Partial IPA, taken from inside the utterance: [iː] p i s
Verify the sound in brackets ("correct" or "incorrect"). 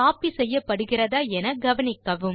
incorrect